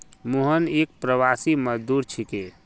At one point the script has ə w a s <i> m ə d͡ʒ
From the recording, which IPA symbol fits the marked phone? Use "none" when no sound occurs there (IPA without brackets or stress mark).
i